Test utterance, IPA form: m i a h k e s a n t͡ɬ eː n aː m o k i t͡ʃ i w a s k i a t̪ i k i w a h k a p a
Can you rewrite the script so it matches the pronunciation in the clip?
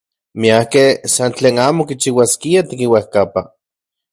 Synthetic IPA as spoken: m i a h k e s a n t͡ɬ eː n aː m o k i t͡ʃ i w a s k i a t̪ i k i w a h k a p a